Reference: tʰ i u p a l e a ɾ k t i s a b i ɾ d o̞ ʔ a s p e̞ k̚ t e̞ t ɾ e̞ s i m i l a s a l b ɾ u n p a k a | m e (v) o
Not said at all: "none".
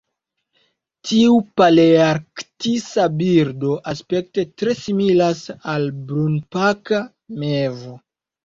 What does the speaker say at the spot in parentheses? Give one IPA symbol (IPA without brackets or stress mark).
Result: v